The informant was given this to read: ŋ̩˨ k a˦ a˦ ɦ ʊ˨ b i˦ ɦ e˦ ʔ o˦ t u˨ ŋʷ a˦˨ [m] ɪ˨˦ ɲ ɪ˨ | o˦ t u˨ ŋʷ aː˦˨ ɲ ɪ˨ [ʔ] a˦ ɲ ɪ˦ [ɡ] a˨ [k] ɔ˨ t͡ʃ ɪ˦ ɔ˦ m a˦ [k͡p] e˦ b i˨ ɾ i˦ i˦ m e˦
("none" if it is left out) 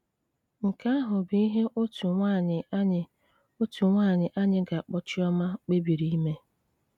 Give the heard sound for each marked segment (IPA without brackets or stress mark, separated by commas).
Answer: ɲ, ʔ, ɡ, k͡p, k͡p